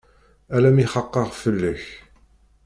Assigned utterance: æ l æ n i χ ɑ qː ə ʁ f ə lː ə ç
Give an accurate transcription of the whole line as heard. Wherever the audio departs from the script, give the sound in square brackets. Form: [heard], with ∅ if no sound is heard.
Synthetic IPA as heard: æ l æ [m] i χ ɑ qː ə ʁ f ə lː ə ç